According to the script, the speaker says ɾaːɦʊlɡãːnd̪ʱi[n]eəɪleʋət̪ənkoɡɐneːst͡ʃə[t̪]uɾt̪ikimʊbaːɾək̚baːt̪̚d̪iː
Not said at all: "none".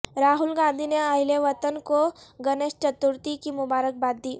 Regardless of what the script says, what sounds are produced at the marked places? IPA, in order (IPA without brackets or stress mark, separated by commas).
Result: n, t̪